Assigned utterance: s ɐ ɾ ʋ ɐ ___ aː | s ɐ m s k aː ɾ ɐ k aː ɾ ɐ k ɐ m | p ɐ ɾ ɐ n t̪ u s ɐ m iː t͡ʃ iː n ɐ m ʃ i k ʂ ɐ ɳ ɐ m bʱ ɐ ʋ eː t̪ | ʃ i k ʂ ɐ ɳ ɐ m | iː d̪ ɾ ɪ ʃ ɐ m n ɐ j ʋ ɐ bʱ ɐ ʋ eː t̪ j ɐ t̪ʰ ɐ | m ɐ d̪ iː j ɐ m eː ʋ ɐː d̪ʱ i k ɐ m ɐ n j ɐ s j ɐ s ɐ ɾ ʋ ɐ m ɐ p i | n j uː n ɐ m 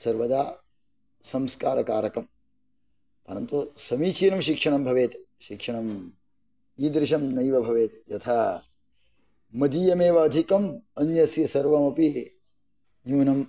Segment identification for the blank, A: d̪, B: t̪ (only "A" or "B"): A